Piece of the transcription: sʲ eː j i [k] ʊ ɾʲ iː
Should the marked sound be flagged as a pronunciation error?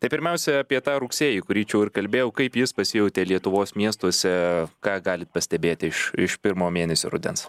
no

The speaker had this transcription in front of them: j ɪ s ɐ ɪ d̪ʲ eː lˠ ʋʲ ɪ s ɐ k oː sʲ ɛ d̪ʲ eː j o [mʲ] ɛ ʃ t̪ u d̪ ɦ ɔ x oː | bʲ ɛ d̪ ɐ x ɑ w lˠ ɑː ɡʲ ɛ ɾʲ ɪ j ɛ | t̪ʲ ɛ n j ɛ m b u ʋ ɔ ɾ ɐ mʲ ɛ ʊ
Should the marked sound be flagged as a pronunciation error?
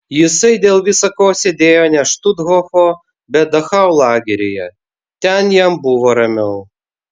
yes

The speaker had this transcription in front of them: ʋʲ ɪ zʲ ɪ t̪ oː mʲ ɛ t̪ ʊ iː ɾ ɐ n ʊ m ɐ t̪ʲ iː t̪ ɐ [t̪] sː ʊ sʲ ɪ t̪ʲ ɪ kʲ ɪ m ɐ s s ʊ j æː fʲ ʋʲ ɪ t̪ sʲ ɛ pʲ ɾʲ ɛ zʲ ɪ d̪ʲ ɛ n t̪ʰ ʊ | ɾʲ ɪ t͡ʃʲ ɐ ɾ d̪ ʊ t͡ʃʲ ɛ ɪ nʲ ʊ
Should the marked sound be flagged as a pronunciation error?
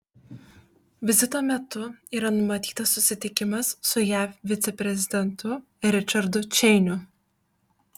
yes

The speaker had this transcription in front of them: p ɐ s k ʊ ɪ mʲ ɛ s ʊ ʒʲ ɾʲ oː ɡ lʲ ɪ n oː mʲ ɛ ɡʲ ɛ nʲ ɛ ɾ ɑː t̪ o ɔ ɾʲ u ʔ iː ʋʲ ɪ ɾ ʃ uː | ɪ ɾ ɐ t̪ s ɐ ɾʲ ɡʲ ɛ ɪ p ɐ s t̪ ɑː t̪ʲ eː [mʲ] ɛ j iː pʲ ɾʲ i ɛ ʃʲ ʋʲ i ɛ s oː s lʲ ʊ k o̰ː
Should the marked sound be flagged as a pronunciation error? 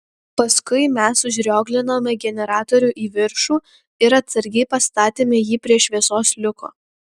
no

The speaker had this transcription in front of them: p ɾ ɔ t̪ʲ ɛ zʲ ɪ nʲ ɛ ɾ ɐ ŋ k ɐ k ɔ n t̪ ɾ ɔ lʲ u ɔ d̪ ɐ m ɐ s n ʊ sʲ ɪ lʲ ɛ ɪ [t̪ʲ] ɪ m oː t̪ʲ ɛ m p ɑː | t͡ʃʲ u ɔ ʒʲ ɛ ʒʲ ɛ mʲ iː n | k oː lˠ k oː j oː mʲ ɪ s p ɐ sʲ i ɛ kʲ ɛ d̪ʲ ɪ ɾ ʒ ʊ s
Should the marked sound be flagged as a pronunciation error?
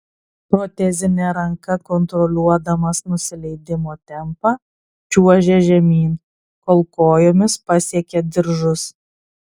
yes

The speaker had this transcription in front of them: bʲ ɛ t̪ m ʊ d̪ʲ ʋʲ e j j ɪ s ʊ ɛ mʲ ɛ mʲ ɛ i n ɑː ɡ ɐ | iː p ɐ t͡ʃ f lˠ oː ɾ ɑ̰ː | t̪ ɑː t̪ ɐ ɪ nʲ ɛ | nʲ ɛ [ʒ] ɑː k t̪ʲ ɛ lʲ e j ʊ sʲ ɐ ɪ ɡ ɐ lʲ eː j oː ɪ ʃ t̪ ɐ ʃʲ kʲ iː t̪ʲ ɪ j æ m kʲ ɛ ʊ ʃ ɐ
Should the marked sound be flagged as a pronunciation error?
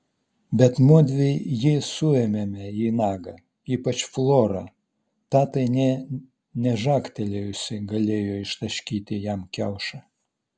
no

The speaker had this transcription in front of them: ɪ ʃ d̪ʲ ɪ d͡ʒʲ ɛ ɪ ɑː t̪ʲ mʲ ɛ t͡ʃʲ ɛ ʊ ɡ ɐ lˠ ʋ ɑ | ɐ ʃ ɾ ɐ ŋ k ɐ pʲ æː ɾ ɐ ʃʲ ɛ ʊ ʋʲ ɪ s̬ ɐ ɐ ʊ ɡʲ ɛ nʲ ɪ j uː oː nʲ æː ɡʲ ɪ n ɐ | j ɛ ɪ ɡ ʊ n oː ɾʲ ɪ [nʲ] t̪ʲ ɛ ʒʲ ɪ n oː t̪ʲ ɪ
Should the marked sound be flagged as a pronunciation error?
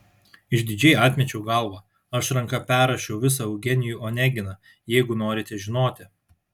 yes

